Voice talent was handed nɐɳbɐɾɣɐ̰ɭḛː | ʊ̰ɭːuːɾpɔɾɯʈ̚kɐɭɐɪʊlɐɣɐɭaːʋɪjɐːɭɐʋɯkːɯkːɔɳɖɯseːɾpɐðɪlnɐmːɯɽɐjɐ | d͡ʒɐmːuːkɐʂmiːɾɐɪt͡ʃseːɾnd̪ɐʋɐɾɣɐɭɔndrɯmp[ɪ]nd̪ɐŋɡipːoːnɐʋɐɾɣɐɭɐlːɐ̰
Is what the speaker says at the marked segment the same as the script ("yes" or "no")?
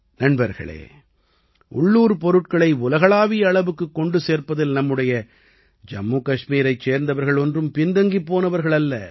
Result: yes